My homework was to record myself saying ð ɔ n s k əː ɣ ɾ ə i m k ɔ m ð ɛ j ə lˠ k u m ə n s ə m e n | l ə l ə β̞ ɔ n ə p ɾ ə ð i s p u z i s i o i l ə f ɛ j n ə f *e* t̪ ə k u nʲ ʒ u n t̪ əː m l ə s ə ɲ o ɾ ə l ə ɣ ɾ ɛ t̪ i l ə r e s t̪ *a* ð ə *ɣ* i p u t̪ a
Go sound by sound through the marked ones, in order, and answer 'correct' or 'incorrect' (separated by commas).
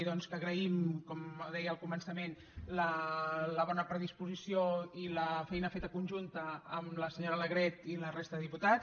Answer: correct, incorrect, incorrect